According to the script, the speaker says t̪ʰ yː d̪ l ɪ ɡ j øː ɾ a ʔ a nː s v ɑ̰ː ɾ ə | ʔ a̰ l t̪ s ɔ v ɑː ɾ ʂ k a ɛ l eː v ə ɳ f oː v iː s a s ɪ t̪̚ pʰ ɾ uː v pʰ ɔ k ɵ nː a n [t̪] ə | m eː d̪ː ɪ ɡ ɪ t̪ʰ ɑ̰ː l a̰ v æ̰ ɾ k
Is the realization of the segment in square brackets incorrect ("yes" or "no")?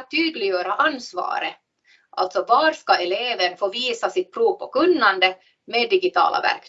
yes